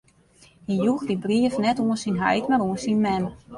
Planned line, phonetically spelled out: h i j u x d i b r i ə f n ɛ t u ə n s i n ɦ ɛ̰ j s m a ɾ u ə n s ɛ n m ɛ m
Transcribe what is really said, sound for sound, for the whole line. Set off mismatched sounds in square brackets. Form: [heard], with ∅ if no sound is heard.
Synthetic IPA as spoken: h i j u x d i b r i ə f n ɛ t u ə n s i n ɦ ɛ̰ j [t] m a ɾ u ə n s [i] n m ɛ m